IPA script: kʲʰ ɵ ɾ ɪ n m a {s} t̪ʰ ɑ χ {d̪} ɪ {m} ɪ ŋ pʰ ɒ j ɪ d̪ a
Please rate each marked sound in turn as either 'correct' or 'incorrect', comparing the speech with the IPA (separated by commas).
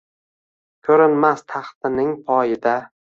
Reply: correct, incorrect, incorrect